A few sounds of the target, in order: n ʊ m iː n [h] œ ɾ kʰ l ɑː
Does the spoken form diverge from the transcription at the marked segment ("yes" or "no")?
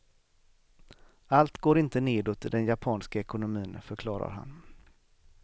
yes